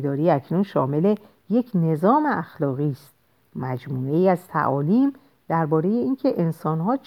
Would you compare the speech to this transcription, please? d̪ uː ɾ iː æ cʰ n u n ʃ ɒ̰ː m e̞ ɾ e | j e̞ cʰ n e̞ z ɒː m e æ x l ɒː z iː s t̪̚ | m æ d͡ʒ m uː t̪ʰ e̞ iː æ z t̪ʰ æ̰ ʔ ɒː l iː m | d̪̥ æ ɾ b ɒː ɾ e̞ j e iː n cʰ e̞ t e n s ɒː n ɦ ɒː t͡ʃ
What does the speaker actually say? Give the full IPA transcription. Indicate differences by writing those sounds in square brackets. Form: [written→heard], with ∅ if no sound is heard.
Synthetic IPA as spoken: d̪ [uː→ɒː] ɾ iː æ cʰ n u n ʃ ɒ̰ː m e̞ [ɾ→l] e | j e̞ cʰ n e̞ z ɒː m e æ x l ɒː [z→ɣ] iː s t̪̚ | m æ d͡ʒ m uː [t̪ʰ→∅] e̞ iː æ z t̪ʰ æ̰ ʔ ɒː l iː m | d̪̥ æ ɾ b ɒː ɾ e̞ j e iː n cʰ e̞ [t→ʔ] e n s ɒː n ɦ ɒː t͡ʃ